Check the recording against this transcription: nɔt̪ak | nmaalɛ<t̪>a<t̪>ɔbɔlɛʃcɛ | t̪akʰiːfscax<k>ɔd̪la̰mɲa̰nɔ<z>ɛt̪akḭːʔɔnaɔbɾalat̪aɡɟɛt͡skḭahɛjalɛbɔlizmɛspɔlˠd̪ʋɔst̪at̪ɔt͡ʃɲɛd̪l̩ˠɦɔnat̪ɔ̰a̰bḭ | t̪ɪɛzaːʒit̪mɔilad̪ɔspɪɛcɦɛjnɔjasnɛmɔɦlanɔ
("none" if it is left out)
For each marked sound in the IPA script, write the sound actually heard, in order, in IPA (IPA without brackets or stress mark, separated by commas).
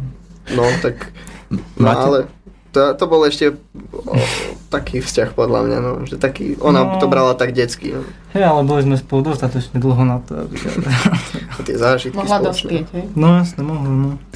t̪, t̪, p, ʒ